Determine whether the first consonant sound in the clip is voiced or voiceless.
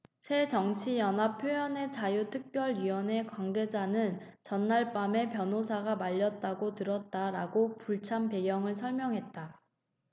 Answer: voiceless